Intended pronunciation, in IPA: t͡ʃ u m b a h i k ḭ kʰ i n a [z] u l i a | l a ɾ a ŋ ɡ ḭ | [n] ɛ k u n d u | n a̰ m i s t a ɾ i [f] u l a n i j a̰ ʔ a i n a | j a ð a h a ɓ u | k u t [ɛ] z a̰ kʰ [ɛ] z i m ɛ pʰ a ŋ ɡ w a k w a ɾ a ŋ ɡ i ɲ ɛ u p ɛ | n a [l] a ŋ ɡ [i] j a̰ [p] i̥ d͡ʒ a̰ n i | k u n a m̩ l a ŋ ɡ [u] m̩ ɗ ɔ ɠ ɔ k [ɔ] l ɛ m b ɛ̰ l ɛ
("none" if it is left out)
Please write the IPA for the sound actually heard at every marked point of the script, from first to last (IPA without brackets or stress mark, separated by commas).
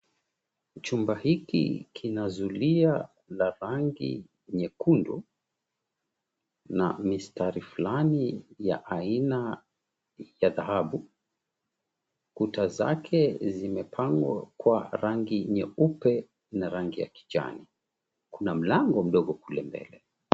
z, ɲ, f, a, ɛ, ɾ, i, k, ɔ, u